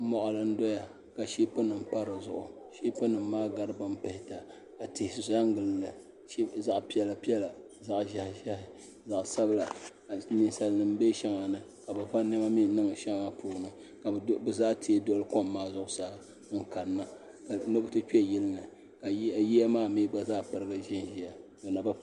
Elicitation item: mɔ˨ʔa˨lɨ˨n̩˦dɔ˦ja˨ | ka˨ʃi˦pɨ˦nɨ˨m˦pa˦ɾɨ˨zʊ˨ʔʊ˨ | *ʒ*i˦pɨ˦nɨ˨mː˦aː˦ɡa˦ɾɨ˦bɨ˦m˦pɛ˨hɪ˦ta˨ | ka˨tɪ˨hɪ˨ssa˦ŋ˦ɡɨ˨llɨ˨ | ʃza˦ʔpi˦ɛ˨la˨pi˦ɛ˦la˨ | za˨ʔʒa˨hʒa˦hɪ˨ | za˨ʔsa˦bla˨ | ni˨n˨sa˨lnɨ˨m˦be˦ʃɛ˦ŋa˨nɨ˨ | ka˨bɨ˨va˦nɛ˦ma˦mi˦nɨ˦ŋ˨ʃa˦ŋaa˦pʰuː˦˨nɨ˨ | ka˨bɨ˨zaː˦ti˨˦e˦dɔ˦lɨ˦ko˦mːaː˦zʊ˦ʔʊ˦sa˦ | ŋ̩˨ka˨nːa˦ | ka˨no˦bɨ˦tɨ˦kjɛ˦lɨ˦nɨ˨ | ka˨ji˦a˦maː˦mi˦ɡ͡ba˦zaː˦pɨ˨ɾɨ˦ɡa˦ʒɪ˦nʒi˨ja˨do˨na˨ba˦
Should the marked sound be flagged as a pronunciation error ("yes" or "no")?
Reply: yes